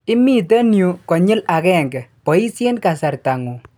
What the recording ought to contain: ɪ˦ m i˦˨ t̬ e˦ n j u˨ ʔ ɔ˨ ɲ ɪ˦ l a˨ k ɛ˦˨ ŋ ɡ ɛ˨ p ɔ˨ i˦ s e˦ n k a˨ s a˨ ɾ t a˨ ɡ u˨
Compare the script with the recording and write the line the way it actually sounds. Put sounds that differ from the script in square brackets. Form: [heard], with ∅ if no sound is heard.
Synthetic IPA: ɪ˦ m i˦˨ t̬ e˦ n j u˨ [k] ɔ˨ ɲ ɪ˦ l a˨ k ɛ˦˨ ŋ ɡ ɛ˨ p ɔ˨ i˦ s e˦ n k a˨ s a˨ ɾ t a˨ [ŋ] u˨